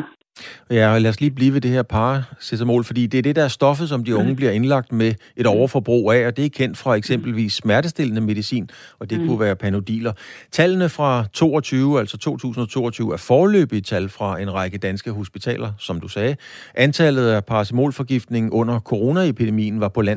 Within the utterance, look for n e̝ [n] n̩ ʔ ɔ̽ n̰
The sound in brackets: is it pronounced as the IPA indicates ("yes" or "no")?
no